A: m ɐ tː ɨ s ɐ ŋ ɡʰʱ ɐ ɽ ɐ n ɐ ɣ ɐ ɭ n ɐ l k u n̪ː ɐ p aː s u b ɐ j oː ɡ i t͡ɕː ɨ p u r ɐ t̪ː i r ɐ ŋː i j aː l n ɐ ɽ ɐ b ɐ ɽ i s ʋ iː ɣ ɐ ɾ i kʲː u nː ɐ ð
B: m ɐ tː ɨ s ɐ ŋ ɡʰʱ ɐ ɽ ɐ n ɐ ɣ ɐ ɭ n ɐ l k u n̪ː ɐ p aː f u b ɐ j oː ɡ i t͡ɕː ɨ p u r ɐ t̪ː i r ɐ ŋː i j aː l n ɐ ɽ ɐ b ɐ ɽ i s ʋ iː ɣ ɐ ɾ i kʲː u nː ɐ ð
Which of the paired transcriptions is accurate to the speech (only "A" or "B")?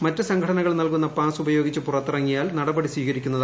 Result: A